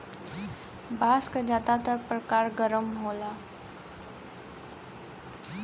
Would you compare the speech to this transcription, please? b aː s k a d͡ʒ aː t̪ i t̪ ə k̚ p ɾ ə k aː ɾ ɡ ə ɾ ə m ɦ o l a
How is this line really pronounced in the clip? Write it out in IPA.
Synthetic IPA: b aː s k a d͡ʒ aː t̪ a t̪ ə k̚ p ɾ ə k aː ɾ ɡ ə ɾ ə m ɦ o l a